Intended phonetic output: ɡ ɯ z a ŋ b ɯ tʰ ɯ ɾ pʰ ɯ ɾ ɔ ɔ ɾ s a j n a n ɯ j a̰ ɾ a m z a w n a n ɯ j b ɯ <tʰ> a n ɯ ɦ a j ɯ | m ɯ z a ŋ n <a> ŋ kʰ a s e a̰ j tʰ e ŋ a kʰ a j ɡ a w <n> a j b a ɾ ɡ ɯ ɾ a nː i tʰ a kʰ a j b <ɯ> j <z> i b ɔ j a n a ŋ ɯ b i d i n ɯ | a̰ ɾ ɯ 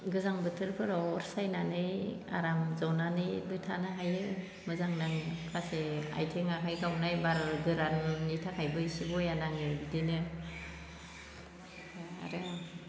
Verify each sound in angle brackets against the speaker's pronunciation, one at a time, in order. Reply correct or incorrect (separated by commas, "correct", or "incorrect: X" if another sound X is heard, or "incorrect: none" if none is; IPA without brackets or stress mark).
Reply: correct, correct, correct, correct, incorrect: s